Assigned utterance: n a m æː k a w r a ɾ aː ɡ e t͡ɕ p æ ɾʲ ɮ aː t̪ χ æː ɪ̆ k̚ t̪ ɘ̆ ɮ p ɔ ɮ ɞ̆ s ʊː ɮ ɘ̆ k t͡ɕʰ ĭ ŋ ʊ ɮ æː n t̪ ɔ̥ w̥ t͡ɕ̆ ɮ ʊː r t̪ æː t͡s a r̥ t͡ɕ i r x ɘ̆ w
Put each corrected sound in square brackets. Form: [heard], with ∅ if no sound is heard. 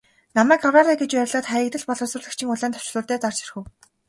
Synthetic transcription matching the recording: n a m æː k a w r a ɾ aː ɡ e t͡ɕ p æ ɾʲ ɮ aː t̪ χ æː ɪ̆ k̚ t̪ ɘ̆ ɮ p ɔ ɮ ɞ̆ s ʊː ɮ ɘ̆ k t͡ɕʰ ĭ ŋ ʊ ɮ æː n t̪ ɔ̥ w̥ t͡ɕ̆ ɮ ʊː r t̪ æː t͡s a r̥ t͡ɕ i r x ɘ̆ w